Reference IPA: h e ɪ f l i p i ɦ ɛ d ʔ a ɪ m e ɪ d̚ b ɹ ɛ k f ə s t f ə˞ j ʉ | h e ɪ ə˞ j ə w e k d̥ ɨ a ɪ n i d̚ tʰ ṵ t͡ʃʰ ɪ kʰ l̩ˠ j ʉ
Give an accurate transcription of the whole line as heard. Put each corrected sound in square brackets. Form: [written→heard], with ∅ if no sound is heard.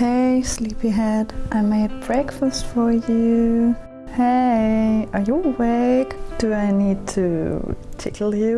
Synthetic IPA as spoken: h e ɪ [f→s] l i p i ɦ ɛ d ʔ a ɪ m e ɪ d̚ b ɹ ɛ k f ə s t f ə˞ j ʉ | h e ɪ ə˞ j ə w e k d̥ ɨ a ɪ n i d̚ tʰ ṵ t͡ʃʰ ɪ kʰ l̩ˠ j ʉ

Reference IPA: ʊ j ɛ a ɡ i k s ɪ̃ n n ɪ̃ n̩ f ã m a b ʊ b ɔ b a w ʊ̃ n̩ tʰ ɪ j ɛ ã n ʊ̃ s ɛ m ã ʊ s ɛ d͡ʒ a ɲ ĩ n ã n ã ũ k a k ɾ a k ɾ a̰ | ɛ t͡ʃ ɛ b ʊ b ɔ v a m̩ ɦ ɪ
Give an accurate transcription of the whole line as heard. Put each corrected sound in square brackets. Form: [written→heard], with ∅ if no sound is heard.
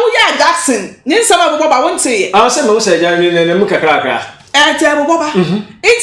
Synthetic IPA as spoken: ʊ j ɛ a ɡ [i→a] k s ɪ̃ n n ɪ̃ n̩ [f→s] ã m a b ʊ b ɔ b a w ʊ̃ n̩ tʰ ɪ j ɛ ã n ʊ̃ s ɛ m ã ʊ s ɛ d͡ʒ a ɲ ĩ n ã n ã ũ k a k ɾ a k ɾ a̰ | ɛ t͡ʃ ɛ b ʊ b ɔ [v→b] a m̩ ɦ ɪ

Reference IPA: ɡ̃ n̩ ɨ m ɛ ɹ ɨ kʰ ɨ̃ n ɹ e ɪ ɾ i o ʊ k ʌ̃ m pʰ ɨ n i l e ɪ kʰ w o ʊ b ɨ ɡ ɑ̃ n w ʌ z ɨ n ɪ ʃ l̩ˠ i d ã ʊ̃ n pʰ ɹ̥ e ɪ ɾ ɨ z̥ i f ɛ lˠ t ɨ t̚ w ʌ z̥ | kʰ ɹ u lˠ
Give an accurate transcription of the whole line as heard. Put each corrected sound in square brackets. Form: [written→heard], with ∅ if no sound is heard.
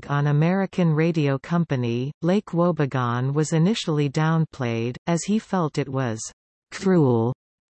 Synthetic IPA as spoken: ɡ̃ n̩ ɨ m ɛ ɹ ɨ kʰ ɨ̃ n ɹ e ɪ ɾ i o ʊ [k→kʰ] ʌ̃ m [pʰ→p] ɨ n i l e ɪ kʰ w o ʊ b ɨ ɡ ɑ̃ n w ʌ z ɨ n ɪ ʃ l̩ˠ i d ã ʊ̃ n pʰ [ɹ̥→l̥] e ɪ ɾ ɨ z̥ i f ɛ lˠ t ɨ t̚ w ʌ z̥ | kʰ ɹ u lˠ

